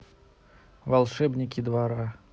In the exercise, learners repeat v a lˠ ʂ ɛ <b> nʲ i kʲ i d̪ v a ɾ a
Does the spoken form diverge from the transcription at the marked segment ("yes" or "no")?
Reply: no